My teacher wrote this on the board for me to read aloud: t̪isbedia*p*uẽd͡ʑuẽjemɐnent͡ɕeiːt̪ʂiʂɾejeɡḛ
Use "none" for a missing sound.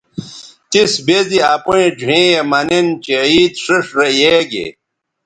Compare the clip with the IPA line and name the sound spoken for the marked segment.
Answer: p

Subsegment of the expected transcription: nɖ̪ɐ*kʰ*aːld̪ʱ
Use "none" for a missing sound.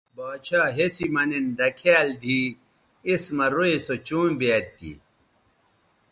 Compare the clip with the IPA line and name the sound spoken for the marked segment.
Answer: kʰ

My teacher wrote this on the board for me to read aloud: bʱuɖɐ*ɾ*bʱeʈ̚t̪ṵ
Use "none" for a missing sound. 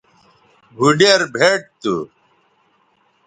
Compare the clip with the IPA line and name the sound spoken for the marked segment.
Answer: ɾ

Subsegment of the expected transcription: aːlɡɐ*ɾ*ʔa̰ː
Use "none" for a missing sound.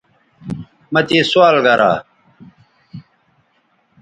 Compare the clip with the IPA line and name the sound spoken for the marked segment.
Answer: ɾ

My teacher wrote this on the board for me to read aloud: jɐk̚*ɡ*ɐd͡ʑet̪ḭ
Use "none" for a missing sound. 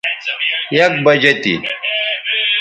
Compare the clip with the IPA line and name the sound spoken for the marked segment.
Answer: b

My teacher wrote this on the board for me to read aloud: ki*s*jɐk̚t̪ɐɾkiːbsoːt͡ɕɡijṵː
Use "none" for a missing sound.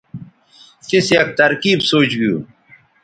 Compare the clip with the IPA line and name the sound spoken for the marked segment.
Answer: s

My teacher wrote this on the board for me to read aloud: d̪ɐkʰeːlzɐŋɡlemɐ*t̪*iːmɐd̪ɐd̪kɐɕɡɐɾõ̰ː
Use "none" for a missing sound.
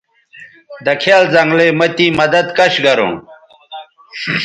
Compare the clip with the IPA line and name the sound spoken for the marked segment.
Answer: t̪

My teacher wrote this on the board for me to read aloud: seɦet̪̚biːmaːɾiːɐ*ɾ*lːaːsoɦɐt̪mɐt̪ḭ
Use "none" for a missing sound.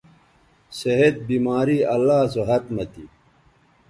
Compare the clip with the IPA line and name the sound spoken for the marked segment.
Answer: none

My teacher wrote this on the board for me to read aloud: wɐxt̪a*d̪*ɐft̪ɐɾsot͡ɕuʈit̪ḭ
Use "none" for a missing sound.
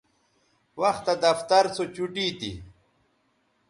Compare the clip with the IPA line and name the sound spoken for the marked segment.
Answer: d̪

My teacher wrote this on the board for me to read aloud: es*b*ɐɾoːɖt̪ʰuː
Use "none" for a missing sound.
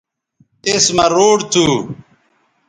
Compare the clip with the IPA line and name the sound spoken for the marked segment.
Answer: m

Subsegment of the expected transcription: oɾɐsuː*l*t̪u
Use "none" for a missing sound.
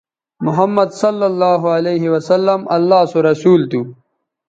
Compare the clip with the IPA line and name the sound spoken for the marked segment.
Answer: l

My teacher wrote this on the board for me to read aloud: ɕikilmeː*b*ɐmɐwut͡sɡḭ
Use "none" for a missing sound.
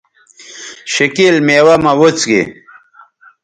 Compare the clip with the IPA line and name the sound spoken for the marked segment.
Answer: w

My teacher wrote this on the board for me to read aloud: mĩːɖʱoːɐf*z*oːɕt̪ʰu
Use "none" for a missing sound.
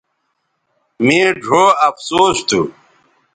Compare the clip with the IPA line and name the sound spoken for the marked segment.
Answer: s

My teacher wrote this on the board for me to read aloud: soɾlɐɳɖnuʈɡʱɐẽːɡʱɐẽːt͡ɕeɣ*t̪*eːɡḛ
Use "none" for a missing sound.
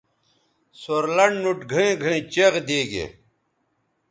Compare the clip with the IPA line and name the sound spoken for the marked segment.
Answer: d̪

